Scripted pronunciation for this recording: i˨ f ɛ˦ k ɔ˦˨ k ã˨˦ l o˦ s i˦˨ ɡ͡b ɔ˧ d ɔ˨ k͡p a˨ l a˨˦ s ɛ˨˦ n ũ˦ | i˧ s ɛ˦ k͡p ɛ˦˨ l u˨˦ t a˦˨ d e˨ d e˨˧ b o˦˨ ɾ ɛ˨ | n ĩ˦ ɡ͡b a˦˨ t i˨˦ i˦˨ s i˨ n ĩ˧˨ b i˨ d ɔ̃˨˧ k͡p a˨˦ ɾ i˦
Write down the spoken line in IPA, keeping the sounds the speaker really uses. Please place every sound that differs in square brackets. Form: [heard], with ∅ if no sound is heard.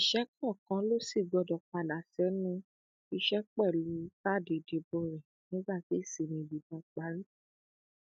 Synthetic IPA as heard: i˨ [ʃ] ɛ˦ k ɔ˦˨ k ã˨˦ l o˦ s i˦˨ ɡ͡b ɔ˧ d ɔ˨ k͡p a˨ l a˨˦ s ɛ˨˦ n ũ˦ | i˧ [ʃ] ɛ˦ k͡p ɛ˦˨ l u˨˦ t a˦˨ d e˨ d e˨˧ b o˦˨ ɾ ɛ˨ | n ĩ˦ ɡ͡b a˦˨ t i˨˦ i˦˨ s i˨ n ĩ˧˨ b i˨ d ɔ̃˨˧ k͡p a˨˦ ɾ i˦